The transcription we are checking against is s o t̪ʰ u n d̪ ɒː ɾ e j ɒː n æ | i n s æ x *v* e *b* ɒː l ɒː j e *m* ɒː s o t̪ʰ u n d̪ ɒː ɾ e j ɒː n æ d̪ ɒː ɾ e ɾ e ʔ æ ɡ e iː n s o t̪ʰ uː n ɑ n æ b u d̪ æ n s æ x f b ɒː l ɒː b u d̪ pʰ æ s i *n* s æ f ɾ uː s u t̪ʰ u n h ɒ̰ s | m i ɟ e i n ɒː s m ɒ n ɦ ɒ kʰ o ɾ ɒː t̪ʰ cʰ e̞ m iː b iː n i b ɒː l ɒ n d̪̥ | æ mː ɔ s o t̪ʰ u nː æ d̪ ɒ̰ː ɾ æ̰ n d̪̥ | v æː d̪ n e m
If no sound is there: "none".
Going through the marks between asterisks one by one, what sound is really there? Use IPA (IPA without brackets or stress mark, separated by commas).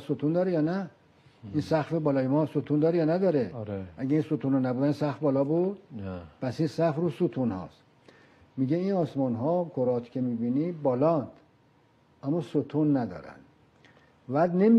f, b, m, n